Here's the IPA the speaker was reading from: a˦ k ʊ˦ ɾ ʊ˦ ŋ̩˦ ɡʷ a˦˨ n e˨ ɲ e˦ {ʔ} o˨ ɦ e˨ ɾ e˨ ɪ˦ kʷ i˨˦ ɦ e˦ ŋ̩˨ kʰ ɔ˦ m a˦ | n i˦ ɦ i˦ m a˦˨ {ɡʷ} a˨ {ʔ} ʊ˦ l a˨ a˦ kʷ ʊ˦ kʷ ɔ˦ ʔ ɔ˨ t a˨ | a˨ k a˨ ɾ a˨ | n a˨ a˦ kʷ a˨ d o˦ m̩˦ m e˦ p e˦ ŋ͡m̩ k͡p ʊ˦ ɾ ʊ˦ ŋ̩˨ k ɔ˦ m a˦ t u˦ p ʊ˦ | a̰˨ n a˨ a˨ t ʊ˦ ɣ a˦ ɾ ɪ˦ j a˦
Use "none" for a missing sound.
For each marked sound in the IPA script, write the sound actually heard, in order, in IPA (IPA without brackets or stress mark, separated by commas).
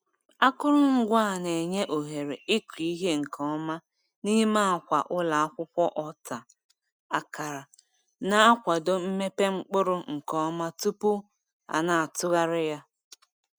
ʔ, kʷ, ʔ